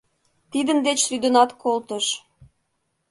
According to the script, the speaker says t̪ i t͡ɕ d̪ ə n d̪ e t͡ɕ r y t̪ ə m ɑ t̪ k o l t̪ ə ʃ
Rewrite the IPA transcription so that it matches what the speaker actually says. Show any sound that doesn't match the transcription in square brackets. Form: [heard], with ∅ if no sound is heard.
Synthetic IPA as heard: t̪ i [∅] d̪ ə n d̪ e t͡ɕ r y [d̪] ə [n] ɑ t̪ k o l t̪ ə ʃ